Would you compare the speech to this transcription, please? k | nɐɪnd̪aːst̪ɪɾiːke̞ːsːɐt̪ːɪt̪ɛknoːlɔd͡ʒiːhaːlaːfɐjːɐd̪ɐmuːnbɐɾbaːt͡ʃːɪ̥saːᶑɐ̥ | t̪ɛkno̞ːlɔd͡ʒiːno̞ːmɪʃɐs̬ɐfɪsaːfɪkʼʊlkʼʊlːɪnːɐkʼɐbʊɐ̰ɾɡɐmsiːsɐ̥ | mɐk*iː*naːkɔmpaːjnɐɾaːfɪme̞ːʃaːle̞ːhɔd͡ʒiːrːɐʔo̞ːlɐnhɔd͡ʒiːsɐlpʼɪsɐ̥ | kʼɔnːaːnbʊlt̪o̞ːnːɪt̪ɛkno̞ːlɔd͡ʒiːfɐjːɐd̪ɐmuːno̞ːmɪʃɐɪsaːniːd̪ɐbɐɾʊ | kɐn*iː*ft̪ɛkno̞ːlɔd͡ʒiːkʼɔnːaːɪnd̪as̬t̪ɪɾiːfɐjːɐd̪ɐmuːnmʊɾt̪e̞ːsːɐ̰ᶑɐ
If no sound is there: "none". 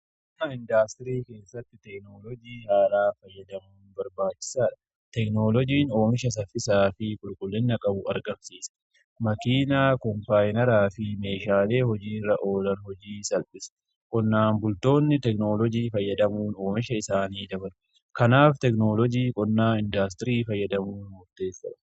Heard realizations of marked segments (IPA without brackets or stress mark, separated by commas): iː, aː